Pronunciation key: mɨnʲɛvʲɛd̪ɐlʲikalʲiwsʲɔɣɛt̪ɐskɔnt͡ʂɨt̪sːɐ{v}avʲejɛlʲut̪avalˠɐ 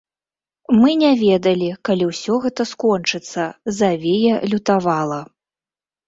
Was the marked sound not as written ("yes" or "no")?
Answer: yes